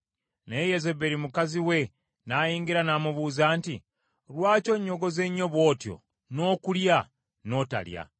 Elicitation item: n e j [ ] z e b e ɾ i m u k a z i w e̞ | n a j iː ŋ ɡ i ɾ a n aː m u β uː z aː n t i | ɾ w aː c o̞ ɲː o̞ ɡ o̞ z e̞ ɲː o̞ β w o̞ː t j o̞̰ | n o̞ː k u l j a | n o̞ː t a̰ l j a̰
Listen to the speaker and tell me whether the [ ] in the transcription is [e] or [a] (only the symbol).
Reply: e